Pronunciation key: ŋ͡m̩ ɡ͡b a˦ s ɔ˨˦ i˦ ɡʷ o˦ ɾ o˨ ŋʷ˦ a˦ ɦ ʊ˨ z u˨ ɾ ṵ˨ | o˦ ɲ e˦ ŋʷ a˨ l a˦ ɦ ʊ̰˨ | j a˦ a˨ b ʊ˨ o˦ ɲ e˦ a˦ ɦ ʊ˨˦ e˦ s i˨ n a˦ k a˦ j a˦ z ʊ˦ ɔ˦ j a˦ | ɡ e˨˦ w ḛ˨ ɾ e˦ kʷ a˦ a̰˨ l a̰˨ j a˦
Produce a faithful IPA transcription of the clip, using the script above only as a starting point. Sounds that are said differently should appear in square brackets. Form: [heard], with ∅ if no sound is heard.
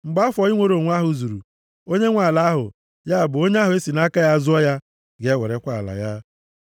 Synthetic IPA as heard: ŋ͡m̩ ɡ͡b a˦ [f] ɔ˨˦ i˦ [ŋʷ] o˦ ɾ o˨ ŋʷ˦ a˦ ɦ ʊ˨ z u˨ ɾ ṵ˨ | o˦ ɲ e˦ ŋʷ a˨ l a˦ ɦ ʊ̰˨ | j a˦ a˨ b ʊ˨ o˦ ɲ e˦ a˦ ɦ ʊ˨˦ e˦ s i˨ n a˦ k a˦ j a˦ z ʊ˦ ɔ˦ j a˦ | ɡ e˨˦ w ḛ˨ ɾ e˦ kʷ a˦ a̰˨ l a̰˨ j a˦